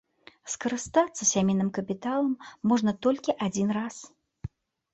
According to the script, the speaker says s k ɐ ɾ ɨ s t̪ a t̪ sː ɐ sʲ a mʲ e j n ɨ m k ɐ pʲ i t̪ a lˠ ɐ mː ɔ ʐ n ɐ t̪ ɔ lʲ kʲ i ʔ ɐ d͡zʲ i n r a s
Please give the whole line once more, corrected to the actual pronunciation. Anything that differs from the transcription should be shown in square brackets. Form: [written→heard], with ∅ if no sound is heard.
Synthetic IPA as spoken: s k ɐ ɾ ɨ s t̪ a t̪ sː ɐ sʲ a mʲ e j n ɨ m k ɐ pʲ i t̪ a lˠ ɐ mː ɔ ʐ n ɐ t̪ ɔ lʲ kʲ i ʔ [ɐ→a] d͡zʲ i n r a s

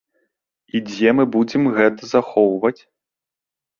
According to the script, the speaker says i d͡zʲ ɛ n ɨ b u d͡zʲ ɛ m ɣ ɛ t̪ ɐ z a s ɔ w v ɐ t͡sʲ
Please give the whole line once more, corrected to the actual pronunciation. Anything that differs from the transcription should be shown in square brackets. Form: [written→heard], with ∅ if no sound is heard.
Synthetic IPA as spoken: i d͡zʲ ɛ [n→m] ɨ b u d͡zʲ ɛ m ɣ ɛ t̪ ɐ z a [s→x] ɔ w v ɐ t͡sʲ

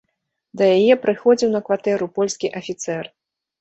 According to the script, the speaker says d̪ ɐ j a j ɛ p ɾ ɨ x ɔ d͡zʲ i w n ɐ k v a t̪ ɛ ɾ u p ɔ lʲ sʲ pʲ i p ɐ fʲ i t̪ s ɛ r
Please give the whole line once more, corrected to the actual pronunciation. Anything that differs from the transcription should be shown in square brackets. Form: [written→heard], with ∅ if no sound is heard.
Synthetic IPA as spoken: d̪ ɐ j a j ɛ p ɾ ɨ x ɔ d͡zʲ i w n ɐ k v a t̪ ɛ ɾ u p ɔ lʲ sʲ [pʲ→kʲ] i [p→ʔ] ɐ fʲ i t̪ s ɛ r

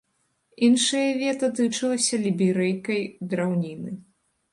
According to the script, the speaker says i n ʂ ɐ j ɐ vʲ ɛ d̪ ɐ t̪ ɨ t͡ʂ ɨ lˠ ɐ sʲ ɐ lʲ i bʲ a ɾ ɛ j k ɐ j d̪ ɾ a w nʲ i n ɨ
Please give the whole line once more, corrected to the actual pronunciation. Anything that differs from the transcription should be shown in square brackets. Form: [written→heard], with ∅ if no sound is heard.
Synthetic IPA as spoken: i n ʂ ɐ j ɐ vʲ ɛ [d̪→t̪] ɐ t̪ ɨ t͡ʂ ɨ lˠ ɐ sʲ ɐ lʲ i bʲ [a→i] ɾ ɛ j k ɐ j d̪ ɾ a w nʲ i n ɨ

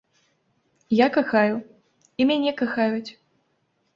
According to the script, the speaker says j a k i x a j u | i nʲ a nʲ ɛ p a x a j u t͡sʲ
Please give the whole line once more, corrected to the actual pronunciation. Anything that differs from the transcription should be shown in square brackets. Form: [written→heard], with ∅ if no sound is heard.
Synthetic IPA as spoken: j a k [i→a] x a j u | i [nʲ→mʲ] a nʲ ɛ [p→k] a x a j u t͡sʲ

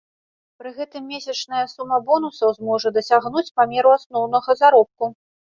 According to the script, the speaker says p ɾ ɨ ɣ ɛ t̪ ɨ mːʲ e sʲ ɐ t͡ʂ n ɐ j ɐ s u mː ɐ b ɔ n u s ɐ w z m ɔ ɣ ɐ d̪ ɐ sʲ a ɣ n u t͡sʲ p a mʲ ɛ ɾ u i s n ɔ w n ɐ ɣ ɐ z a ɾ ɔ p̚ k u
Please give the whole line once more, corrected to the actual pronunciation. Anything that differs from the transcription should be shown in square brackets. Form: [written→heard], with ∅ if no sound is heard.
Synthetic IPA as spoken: p ɾ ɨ ɣ ɛ t̪ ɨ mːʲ e sʲ ɐ t͡ʂ n ɐ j ɐ s u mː ɐ b ɔ n u s ɐ w z m ɔ [ɣ→ʐ] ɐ d̪ ɐ sʲ a ɣ n u t͡sʲ p a mʲ ɛ ɾ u [i→a] s n ɔ w n ɐ ɣ ɐ z a ɾ ɔ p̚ k u

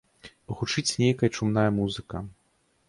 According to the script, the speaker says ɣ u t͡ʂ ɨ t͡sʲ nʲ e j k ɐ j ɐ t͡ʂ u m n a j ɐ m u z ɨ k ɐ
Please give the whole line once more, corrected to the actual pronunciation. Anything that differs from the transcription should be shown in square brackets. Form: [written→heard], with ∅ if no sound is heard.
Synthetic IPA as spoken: ɣ u t͡ʂ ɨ t͡sʲ nʲ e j k ɐ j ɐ t͡ʂ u m n a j ɐ m u z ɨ k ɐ

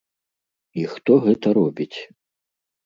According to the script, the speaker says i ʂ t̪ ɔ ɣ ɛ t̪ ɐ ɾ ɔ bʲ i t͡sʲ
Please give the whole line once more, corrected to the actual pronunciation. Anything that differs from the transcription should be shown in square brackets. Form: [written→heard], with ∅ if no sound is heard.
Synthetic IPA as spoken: i [ʂ→x] t̪ ɔ ɣ ɛ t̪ ɐ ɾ ɔ bʲ i t͡sʲ

